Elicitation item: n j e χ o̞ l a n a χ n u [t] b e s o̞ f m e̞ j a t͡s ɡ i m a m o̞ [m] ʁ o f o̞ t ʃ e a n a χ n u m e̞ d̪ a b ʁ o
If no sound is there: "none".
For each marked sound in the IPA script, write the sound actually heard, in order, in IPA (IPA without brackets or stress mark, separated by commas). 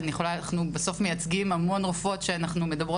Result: none, n